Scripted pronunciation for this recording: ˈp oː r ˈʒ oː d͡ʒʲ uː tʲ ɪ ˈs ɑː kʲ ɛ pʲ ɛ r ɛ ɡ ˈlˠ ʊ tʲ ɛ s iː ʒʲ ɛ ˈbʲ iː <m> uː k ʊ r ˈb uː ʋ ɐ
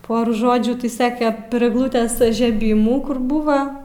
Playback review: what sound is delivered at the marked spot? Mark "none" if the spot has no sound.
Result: m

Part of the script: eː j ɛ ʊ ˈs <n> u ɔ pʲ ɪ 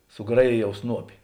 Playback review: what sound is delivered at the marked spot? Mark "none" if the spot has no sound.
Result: n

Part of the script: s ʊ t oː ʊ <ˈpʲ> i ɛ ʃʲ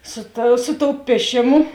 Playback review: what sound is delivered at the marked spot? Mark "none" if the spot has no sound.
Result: pʲ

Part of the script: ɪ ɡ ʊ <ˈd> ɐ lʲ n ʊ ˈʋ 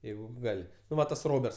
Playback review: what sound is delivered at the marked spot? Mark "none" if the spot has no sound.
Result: ɡ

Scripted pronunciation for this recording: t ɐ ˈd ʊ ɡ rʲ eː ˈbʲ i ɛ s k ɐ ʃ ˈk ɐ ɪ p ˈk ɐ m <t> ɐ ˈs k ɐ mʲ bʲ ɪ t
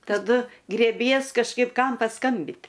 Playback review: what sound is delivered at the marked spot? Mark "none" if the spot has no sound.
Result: p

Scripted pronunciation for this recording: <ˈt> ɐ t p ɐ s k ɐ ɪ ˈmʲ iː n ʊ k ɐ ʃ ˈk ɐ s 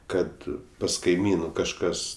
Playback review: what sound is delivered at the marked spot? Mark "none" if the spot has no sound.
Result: k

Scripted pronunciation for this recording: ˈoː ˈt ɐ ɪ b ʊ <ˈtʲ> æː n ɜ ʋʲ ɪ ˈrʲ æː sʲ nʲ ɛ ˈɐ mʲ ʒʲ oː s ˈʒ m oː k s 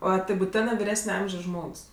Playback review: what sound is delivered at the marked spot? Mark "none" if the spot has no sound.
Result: tʲ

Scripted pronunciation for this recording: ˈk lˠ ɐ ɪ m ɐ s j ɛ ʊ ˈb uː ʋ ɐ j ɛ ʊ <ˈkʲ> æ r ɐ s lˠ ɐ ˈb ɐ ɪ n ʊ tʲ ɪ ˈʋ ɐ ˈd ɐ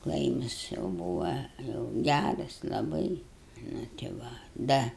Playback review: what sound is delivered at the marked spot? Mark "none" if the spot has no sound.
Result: ɡʲ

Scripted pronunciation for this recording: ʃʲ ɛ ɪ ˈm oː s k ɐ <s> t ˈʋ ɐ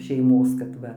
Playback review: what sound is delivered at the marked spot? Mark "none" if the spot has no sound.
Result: none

